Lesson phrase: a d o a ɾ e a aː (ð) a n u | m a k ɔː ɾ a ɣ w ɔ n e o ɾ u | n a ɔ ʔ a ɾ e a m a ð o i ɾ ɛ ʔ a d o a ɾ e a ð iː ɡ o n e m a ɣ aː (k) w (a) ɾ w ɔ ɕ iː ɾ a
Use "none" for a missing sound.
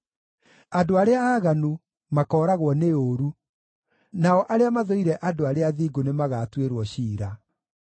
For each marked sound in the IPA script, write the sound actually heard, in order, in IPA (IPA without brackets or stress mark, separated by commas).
ɣ, t, e